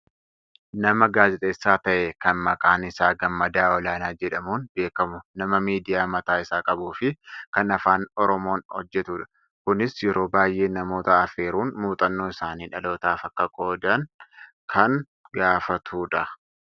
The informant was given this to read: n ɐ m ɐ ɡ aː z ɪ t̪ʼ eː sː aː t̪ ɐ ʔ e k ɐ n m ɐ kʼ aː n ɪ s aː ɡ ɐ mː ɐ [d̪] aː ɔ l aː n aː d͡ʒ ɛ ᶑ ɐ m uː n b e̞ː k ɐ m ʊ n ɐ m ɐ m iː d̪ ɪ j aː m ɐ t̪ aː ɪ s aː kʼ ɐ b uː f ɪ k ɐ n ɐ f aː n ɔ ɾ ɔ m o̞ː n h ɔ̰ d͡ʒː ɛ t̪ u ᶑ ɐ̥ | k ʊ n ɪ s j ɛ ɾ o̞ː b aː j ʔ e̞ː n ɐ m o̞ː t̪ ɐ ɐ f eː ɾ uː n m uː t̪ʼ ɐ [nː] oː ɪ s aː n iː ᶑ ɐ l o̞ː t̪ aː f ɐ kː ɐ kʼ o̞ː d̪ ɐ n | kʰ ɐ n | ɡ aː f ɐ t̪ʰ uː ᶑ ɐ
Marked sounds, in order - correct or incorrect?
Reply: correct, correct

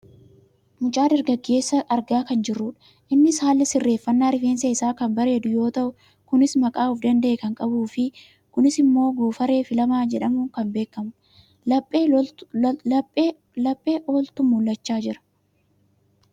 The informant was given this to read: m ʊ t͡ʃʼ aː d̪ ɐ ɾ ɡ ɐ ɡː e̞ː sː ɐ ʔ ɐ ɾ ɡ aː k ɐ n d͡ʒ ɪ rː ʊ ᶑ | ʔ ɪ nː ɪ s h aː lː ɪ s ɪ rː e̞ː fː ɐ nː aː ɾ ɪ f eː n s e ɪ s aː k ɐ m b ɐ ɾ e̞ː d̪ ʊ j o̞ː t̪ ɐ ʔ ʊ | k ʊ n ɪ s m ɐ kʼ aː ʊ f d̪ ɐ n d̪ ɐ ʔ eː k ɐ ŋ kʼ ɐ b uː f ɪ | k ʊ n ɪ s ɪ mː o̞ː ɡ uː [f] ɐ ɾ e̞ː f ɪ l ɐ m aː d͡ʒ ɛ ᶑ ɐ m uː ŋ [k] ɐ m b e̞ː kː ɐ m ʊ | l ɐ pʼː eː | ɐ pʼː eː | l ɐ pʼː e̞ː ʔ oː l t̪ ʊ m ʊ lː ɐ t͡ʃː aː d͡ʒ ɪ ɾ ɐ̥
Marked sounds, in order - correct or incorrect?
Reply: correct, correct

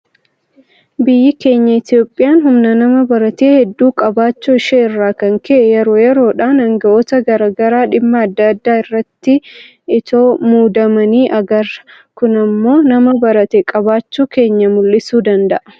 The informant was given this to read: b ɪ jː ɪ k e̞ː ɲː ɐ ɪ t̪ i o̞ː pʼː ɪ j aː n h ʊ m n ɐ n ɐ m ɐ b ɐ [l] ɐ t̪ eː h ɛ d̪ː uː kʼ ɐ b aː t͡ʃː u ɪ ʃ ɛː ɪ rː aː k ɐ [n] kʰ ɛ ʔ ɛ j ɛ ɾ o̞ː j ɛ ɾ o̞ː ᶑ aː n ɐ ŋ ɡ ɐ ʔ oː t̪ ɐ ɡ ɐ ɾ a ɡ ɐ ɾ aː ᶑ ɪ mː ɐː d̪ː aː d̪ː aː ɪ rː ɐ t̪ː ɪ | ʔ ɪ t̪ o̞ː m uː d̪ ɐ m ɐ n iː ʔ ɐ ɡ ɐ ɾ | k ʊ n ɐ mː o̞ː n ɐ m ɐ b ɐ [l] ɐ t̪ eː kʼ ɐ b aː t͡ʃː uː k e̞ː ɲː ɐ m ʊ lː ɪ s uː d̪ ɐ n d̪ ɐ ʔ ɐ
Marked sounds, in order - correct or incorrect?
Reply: incorrect: ɾ, incorrect: ŋ, incorrect: ɾ

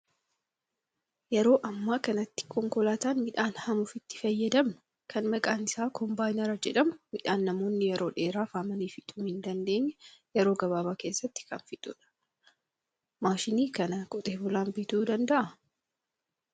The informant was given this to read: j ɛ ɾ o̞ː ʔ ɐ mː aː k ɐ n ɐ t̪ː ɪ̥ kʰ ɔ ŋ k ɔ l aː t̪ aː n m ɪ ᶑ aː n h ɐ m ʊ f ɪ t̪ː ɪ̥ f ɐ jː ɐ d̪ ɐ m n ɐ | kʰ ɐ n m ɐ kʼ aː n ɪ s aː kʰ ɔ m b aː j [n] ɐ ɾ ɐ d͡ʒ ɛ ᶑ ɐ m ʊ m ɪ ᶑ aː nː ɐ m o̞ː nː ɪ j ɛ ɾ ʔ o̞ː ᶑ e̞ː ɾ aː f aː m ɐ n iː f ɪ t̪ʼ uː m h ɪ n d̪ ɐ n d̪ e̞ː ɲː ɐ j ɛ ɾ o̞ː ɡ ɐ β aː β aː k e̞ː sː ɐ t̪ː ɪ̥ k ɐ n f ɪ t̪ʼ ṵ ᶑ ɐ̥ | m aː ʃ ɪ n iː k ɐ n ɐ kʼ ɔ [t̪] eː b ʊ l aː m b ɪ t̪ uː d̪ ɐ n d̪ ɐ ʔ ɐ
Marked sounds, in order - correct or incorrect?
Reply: correct, incorrect: t̪ʼ

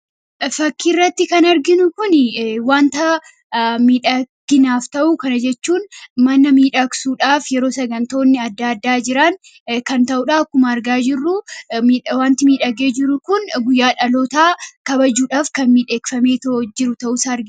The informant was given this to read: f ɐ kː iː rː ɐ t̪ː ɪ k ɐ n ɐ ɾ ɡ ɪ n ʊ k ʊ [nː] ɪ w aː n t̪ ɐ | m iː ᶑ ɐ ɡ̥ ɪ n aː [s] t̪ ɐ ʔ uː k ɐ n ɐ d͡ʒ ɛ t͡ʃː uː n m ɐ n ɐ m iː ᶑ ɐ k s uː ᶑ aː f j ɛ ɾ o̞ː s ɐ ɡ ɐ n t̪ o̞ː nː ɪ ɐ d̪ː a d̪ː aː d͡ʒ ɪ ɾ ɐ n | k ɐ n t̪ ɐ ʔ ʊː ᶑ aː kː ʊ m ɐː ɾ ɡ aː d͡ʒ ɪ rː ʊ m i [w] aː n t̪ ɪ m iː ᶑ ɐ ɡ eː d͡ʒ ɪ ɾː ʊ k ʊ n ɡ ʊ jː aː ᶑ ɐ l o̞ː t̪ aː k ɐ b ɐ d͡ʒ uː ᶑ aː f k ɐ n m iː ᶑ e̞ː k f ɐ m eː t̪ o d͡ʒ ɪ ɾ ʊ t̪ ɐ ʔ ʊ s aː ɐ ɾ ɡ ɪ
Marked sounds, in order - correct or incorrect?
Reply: incorrect: n, incorrect: f, correct

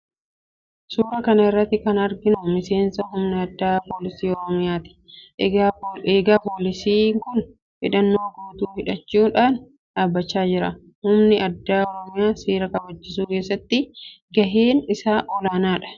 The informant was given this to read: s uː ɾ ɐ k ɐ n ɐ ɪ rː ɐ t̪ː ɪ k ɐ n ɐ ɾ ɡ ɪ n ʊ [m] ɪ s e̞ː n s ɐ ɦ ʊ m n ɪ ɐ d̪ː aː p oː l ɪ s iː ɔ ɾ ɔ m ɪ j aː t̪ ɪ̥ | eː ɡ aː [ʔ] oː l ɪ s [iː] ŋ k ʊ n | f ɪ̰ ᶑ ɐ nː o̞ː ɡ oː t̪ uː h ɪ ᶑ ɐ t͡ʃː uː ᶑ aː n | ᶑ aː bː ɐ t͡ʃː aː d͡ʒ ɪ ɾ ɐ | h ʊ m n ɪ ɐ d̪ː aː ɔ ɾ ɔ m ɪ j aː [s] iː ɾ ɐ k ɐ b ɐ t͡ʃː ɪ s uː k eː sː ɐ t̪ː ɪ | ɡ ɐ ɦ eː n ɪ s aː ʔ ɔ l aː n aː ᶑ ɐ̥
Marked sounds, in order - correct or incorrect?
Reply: correct, incorrect: p, correct, correct

